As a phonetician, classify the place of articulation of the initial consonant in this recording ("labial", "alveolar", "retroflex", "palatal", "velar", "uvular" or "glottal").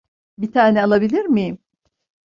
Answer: labial